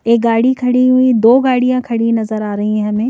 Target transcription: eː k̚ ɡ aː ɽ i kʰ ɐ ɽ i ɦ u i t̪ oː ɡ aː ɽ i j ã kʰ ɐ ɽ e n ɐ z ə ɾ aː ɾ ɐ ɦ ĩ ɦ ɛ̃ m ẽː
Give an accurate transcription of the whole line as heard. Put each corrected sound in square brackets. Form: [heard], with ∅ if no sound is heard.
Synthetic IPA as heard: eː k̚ ɡ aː ɽ i kʰ ɐ ɽ i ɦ u i [d̪] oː ɡ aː ɽ i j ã kʰ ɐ ɽ [i] n ɐ z ə ɾ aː ɾ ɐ ɦ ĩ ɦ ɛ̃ m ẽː